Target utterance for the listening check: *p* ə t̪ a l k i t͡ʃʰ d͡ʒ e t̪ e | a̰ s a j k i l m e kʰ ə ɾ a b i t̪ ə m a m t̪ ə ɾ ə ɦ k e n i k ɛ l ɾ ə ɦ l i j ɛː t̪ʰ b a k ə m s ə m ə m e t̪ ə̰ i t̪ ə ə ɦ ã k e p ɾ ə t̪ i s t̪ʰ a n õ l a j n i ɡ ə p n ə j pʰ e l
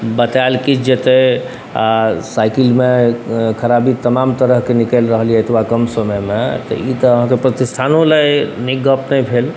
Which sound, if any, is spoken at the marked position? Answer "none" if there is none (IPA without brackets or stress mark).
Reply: b